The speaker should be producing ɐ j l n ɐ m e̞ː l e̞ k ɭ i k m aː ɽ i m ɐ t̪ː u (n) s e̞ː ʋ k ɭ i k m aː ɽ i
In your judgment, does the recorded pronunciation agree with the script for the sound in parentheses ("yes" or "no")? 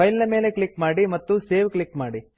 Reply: no